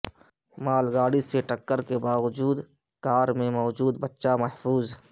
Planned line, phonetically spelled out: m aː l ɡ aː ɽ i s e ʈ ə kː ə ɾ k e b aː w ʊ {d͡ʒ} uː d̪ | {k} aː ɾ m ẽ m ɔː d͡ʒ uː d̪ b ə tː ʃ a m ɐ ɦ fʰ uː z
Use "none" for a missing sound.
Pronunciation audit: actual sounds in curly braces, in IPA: d͡ʒ, k

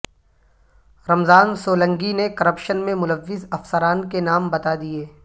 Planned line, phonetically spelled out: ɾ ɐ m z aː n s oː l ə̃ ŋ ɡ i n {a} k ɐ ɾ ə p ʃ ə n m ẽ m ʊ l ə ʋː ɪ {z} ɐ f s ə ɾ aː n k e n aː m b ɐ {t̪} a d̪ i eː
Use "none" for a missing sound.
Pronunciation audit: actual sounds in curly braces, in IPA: e, z, t̪

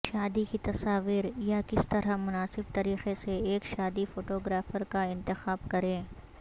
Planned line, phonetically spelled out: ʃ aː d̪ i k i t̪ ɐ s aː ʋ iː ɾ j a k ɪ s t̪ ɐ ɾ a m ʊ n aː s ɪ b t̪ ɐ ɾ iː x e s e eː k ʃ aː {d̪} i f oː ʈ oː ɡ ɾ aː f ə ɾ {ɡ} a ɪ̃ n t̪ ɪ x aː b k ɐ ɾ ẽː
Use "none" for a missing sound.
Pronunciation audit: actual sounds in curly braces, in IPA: d̪, k

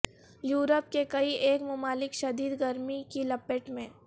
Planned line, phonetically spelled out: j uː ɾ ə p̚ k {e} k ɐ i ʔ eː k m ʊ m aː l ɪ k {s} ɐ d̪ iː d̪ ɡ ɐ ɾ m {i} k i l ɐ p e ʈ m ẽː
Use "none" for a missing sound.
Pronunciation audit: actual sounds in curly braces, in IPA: e, ʃ, i

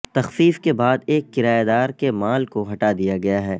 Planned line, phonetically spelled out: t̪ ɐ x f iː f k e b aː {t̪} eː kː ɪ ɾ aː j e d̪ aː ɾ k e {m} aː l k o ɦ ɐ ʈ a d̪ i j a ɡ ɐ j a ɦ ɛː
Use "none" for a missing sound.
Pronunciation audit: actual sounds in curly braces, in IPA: d̪, m

